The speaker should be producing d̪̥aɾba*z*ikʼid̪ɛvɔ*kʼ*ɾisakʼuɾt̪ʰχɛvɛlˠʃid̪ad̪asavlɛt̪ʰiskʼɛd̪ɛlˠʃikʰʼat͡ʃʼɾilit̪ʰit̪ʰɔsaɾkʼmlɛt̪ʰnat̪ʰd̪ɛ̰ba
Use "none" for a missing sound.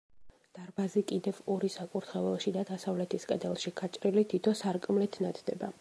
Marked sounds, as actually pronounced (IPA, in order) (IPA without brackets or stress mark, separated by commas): z, none